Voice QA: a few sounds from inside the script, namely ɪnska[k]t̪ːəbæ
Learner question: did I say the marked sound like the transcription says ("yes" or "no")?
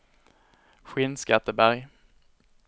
no